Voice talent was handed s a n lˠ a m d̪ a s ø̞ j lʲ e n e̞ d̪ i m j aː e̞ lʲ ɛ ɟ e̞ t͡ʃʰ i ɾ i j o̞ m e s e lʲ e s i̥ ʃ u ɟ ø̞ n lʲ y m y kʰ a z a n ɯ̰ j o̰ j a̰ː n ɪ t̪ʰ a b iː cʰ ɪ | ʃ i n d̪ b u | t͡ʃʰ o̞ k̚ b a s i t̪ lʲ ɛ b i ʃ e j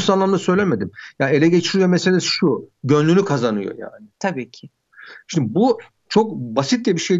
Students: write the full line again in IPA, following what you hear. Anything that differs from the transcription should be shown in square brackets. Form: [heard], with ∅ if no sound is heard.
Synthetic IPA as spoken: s a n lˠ a m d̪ a s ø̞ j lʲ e [m] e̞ d̪ i m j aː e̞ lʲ ɛ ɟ e̞ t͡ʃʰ i ɾ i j o̞ m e s e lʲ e s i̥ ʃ u ɟ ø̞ n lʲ y [n] y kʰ a z a n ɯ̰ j o̰ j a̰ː n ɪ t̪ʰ a b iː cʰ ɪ | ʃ i n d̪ b u | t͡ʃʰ o̞ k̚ b a s i t̪ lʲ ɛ b i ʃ e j